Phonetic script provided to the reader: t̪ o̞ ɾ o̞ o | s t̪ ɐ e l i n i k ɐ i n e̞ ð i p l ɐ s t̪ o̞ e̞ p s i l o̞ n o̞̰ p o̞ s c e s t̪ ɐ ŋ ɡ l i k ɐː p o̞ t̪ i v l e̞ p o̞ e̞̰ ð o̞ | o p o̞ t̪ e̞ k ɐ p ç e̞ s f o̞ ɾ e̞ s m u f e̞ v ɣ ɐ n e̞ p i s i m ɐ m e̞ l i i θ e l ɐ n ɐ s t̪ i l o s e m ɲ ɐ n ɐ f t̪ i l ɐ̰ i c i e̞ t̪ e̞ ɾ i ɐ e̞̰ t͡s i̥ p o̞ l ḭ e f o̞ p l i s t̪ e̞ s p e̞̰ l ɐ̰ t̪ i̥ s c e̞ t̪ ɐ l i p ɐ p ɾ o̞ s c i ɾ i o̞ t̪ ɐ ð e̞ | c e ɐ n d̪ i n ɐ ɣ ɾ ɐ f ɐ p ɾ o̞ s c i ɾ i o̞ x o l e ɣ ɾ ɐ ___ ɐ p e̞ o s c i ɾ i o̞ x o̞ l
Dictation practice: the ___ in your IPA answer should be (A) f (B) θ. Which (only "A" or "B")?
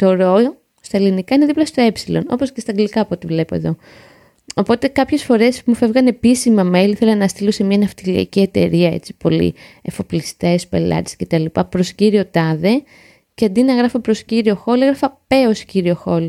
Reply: A